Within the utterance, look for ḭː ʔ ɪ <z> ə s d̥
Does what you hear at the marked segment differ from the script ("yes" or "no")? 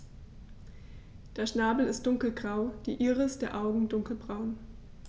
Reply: yes